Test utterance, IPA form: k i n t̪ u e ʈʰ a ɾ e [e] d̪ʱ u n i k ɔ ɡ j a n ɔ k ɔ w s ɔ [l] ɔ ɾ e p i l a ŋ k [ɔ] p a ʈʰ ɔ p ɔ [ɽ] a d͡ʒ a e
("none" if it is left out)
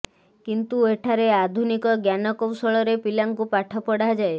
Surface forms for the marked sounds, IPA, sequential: a, ɭ, u, ɽ

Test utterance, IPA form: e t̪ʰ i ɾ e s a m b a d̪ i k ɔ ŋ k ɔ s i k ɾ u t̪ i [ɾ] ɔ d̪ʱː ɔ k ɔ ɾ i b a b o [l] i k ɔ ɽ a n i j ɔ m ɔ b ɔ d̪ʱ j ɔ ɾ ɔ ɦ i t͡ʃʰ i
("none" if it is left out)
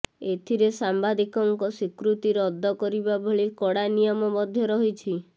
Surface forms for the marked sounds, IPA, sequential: ɾ, ɭ

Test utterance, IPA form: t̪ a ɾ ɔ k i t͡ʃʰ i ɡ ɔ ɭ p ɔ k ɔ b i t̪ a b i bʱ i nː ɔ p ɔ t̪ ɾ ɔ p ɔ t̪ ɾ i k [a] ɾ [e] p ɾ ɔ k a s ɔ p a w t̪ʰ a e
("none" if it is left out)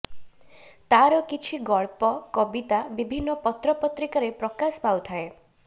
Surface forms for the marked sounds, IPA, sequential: a, e

